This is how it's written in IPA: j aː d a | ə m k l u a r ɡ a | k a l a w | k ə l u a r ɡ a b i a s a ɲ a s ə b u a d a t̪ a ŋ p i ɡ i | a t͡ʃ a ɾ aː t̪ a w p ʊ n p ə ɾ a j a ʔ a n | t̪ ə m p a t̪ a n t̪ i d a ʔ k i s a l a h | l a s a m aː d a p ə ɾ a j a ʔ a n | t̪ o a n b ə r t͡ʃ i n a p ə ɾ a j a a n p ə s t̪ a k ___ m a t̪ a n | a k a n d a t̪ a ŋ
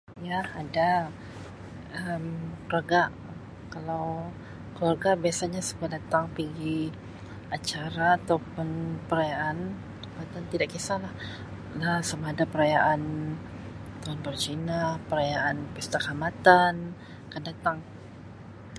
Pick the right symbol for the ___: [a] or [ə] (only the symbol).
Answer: a